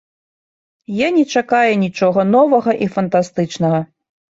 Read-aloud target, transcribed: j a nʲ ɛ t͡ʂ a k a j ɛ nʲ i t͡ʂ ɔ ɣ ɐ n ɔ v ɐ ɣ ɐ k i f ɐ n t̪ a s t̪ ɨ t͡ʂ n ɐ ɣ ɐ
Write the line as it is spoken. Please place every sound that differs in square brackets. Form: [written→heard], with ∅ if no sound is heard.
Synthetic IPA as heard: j a nʲ ɛ t͡ʂ a k a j ɛ nʲ i t͡ʂ ɔ ɣ ɐ n ɔ v ɐ ɣ ɐ [k→ʔ] i f ɐ n t̪ a s t̪ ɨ t͡ʂ n ɐ ɣ ɐ